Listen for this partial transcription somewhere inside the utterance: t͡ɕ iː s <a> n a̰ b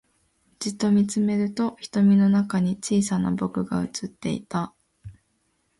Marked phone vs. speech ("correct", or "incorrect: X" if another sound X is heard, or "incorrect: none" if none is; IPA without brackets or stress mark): correct